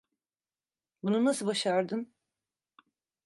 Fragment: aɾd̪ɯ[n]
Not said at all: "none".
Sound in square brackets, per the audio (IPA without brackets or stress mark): n